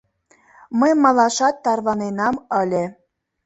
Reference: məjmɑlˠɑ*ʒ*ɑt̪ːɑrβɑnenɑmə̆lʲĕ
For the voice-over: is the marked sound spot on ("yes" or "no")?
no